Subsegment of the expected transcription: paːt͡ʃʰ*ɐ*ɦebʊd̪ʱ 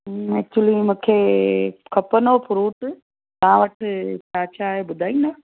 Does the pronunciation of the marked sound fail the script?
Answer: yes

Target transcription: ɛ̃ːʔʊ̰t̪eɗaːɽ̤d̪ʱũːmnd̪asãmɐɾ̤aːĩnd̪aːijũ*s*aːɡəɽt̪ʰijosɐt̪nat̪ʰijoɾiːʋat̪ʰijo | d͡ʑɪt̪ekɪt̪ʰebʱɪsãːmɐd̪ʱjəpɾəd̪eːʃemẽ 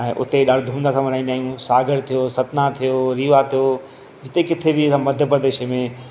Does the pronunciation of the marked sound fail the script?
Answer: no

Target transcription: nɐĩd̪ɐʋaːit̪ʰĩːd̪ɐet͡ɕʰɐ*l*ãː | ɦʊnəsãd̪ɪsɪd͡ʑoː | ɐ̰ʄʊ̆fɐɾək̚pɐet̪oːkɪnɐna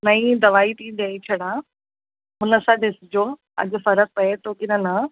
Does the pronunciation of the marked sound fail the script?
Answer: yes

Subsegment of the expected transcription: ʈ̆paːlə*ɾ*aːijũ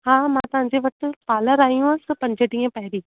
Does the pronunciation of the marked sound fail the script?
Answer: no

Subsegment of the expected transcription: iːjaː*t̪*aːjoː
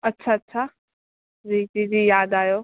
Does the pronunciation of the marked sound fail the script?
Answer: yes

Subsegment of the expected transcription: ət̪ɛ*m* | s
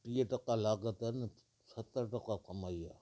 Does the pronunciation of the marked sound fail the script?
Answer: yes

